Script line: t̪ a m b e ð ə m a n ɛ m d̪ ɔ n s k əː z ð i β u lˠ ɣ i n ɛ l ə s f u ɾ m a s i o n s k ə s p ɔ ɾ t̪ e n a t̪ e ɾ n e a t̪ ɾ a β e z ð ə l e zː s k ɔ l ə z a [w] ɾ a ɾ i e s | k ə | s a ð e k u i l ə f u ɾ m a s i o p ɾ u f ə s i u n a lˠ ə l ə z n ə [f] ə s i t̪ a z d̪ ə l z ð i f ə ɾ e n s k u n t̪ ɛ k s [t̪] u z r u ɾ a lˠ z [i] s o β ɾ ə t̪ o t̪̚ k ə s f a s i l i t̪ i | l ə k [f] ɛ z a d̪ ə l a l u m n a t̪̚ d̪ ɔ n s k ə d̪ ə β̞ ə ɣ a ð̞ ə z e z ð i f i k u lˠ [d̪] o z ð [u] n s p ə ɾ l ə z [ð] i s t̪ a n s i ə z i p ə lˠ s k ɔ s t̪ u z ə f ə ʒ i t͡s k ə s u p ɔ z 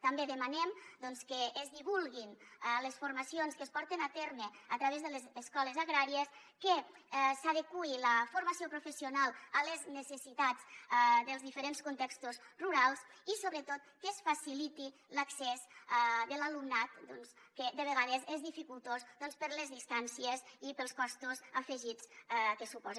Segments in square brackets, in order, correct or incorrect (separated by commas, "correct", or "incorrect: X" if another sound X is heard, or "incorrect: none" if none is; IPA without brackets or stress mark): incorrect: ɣ, incorrect: s, correct, correct, incorrect: s, incorrect: t̪, incorrect: ɔ, correct